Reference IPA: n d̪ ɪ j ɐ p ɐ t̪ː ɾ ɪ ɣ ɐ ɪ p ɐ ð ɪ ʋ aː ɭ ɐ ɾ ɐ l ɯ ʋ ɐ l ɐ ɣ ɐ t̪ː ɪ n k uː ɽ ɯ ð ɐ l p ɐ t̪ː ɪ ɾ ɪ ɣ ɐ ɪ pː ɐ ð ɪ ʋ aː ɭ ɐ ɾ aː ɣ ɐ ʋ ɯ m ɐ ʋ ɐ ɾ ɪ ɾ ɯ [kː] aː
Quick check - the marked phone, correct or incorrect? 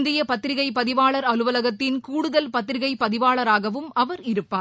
incorrect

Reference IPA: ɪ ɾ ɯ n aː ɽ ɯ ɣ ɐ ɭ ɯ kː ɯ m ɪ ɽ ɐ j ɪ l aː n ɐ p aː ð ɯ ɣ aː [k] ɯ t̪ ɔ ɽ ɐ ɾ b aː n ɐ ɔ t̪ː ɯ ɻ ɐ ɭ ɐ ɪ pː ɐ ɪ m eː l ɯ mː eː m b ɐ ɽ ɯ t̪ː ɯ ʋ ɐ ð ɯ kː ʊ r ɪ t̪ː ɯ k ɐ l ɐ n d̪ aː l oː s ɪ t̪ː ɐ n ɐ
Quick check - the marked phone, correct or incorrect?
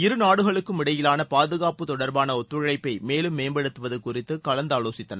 incorrect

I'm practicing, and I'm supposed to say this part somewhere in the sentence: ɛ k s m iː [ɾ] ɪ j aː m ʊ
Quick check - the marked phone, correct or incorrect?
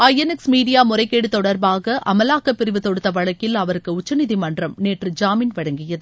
incorrect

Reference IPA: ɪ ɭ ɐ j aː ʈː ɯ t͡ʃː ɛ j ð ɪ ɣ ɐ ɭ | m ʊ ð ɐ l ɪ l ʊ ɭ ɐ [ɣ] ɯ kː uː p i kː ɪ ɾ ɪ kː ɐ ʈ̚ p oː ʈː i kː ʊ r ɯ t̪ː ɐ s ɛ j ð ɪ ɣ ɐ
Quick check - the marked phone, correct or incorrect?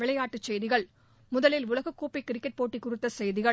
correct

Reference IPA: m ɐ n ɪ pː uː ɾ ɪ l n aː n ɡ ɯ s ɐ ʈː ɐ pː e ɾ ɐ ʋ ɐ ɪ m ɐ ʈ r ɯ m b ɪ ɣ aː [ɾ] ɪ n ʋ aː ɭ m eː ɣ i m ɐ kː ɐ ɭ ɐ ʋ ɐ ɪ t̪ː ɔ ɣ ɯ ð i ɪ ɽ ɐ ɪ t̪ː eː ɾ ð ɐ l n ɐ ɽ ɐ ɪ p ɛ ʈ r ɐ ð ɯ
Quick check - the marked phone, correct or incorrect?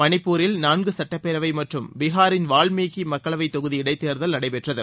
correct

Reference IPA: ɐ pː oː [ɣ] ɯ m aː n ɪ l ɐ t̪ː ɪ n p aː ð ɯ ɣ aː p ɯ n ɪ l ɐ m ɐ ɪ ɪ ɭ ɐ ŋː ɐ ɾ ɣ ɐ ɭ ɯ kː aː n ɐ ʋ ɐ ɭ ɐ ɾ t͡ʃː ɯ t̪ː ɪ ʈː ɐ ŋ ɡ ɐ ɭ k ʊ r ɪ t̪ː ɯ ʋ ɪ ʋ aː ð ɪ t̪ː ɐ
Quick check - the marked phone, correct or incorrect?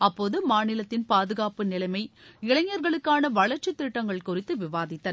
incorrect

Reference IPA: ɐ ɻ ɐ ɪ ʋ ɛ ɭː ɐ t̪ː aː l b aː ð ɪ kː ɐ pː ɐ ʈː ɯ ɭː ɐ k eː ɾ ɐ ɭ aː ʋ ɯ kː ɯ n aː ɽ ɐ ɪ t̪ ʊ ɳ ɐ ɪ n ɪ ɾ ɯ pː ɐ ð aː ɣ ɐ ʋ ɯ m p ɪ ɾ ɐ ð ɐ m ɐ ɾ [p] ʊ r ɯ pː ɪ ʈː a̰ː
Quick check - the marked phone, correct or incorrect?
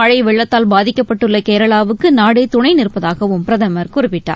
incorrect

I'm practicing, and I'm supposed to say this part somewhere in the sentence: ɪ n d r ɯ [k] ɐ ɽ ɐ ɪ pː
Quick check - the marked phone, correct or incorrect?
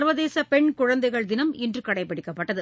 correct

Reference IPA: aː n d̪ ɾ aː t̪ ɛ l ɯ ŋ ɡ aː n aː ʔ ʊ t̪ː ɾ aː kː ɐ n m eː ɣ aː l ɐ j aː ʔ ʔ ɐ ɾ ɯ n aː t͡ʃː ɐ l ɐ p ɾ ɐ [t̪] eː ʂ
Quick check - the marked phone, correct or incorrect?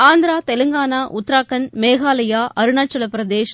incorrect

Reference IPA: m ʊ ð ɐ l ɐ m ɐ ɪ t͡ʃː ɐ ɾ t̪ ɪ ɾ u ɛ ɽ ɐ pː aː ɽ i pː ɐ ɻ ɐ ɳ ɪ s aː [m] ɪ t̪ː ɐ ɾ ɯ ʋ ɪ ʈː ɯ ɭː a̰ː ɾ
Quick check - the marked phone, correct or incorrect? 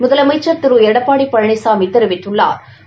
correct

